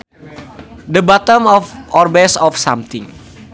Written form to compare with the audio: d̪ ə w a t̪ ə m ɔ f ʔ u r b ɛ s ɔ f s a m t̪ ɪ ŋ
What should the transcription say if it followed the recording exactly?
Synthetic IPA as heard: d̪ ə b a t̪ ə m ɔ f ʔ ɔ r b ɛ s ɔ f s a m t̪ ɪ ŋ